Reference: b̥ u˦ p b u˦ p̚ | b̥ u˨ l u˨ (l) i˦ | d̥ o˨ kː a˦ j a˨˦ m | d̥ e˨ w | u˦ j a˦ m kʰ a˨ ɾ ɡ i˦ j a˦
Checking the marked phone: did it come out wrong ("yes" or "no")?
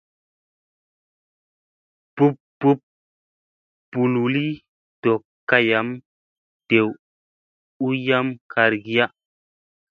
no